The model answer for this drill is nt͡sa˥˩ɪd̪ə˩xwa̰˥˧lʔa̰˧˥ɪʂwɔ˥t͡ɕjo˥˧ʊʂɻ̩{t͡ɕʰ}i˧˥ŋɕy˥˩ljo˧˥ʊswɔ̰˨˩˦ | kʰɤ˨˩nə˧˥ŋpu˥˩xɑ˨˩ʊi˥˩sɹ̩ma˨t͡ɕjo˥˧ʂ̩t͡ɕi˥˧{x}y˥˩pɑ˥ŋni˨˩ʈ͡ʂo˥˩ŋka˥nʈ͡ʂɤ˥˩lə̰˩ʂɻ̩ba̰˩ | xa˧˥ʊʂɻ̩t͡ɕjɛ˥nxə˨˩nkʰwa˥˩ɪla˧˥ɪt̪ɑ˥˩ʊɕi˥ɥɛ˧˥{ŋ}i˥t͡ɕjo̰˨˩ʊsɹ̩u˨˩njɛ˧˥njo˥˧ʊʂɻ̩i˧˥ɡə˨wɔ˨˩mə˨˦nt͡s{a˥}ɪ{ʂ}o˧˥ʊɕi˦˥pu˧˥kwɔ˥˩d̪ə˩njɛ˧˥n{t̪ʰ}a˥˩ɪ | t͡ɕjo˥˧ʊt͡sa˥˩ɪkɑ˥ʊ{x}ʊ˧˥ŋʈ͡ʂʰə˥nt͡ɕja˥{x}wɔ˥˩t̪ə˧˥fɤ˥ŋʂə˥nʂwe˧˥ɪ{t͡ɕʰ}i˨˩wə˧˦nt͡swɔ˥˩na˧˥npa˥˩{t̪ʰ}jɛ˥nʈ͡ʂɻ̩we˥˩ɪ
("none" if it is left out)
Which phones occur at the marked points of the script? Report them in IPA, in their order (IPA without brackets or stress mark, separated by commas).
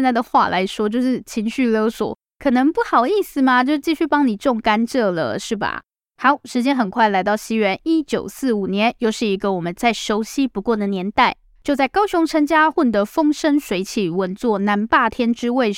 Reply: t͡ɕʰ, ɕ, n, a˥˩, ʂ, t̪, ɕ, x, t͡ɕʰ, t̪ʰ